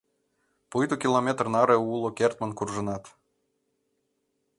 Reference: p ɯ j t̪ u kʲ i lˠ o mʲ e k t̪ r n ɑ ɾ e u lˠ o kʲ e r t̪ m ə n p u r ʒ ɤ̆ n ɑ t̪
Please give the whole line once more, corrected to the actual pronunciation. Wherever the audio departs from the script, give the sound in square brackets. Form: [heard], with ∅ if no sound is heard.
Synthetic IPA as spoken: p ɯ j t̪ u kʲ i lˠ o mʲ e [∅] t̪ r n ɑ ɾ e u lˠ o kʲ e r t̪ m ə n [k] u r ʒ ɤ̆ n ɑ t̪